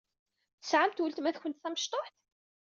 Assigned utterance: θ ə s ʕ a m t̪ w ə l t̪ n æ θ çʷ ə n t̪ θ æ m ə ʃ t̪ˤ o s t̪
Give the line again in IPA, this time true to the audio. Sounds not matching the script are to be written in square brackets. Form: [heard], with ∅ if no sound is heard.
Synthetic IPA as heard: θ ə s ʕ a m t̪ w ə l t̪ [m] æ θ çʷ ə n t̪ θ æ m ə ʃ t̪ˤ o [ħ] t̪